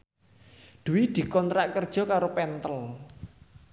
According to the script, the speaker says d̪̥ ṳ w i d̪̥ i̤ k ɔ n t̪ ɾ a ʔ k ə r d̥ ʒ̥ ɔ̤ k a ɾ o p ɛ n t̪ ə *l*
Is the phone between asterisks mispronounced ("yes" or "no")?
no